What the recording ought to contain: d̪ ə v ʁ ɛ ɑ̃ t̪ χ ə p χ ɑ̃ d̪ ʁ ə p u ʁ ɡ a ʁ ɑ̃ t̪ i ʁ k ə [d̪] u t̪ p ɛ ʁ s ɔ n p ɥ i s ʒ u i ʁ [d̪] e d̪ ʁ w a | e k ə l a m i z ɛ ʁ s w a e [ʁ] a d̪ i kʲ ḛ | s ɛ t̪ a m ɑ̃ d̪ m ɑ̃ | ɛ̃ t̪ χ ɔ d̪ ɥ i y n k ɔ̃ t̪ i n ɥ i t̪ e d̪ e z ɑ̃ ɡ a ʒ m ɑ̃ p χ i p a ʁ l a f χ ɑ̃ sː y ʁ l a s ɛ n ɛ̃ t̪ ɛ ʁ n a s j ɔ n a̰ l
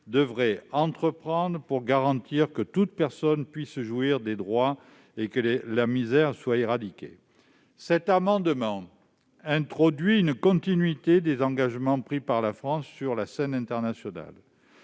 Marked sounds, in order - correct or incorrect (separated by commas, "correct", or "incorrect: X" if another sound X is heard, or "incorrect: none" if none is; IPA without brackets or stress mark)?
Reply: incorrect: t̪, correct, correct